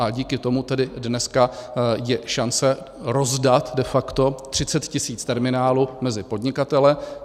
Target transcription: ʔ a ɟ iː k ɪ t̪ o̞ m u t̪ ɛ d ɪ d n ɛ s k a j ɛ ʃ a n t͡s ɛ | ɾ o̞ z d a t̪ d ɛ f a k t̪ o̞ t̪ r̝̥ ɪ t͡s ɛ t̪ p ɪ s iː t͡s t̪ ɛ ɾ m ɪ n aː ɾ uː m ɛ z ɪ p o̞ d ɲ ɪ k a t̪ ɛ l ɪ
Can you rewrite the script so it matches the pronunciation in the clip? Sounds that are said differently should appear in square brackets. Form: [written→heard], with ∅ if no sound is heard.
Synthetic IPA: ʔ a ɟ iː k ɪ t̪ o̞ m u t̪ ɛ d ɪ d n ɛ s k a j ɛ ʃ a n t͡s ɛ | ɾ o̞ z d a t̪ d ɛ f a k t̪ o̞ t̪ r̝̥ ɪ t͡s ɛ t̪ [p→c] ɪ s iː t͡s t̪ ɛ ɾ m ɪ n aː [ɾ→l] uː m ɛ z ɪ p o̞ d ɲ ɪ k a t̪ ɛ l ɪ